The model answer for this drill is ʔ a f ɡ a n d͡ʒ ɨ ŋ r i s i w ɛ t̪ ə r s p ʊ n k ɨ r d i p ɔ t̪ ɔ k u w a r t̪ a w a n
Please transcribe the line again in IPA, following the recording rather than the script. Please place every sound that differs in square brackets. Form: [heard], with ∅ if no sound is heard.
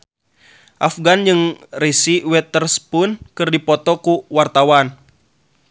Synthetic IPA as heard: ʔ a f ɡ a n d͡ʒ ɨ ŋ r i s i w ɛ t̪ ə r s p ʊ n k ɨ r d i p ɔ t̪ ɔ k u w a r t̪ a w a n